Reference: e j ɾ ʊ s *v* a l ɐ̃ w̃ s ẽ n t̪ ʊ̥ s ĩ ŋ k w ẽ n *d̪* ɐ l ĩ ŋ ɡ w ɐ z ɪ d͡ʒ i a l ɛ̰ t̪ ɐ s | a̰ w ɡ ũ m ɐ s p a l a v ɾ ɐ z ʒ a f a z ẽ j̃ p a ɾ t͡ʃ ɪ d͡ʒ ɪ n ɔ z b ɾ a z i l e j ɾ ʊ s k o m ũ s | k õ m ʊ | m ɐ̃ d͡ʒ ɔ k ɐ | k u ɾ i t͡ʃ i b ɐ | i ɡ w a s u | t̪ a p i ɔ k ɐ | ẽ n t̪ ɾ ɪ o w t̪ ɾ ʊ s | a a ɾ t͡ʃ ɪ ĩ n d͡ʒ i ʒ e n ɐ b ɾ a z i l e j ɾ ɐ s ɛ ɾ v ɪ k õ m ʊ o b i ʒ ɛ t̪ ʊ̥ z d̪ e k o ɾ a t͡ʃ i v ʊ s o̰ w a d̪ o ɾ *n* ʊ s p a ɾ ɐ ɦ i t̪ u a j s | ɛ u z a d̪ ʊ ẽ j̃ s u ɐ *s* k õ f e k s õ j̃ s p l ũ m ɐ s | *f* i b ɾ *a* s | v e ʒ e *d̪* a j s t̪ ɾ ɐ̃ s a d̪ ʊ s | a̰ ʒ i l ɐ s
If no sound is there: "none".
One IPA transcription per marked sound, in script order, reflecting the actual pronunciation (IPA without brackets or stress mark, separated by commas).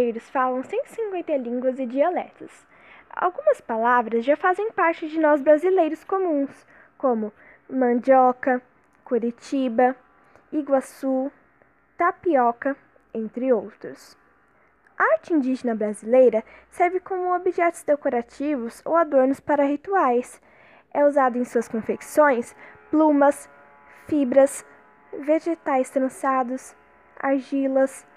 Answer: f, t̪, n, s, f, ɐ, t̪